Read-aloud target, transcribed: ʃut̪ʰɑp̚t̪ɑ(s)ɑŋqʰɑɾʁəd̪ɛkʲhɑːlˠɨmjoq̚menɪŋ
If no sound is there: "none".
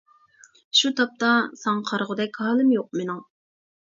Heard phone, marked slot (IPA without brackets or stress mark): s